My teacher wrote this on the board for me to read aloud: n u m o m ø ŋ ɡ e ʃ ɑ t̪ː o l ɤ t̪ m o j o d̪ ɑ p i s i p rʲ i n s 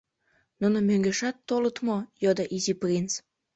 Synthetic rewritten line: n u n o m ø ŋ ɡ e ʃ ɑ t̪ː o l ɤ t̪ m o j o d̪ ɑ ʔ i z i p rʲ i n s